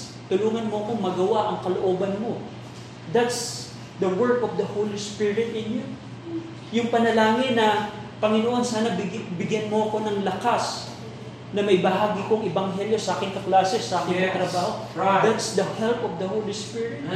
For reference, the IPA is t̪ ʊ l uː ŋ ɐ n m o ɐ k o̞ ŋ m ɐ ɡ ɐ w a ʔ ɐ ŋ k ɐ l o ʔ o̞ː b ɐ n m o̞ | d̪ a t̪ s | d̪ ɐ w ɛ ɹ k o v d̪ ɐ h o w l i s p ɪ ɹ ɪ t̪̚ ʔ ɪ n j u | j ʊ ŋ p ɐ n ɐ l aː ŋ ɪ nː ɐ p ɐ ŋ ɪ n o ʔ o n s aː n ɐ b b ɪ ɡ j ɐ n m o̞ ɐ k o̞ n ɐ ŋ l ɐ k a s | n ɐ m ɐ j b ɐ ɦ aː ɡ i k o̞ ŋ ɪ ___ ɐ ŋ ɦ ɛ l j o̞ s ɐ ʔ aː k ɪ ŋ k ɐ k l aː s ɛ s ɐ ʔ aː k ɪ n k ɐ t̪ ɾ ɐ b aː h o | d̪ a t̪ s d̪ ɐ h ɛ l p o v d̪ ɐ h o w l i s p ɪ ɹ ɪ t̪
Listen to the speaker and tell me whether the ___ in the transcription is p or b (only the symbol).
b